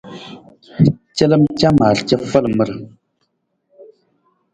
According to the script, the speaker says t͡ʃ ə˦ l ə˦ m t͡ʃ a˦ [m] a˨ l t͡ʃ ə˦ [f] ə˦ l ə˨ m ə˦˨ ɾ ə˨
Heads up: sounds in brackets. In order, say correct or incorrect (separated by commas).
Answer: correct, correct